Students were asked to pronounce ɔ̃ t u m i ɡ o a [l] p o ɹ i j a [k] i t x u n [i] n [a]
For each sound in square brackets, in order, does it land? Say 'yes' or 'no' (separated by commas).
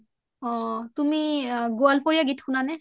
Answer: yes, no, no, no